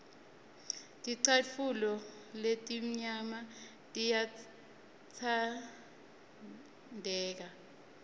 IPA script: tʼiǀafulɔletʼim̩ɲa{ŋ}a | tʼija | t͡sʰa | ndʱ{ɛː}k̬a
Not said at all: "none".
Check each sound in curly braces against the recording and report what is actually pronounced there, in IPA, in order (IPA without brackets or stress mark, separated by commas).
m, ɛː